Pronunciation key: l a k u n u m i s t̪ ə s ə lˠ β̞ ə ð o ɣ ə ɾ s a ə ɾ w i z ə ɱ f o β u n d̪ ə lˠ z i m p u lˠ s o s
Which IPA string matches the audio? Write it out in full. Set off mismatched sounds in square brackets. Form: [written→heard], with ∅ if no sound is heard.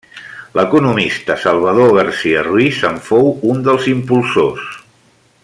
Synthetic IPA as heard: l [a→ə] k u n u m i s t̪ ə s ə lˠ β̞ ə ð o ɣ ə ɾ s [a→i] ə [ɾ→r] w i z ə ɱ f o [β→w] u n d̪ ə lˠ z i m p u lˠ s o s